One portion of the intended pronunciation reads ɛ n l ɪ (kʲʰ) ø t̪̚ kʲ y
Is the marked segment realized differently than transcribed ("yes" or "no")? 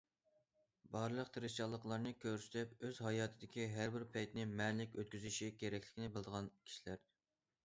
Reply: yes